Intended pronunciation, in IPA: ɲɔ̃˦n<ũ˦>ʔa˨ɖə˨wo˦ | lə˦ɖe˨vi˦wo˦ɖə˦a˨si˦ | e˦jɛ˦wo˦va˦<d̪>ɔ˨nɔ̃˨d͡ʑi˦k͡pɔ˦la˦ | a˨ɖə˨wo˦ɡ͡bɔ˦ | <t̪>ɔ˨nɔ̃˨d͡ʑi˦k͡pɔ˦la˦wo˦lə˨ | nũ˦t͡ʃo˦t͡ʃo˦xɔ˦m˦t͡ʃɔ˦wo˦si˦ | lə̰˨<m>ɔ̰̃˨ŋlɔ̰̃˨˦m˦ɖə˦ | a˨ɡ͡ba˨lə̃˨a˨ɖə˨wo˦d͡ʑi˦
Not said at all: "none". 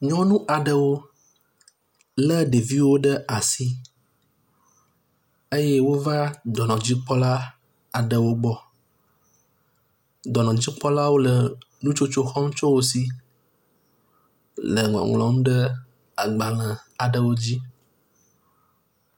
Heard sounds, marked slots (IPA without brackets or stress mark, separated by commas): ũ˦, d̪, d̪, ŋ